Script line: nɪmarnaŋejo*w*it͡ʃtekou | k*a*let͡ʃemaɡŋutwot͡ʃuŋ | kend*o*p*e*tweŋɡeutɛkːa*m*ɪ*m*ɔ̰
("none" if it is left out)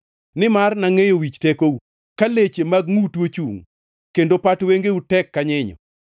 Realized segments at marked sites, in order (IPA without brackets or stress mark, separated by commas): w, a, o, a, ɲ, ɲ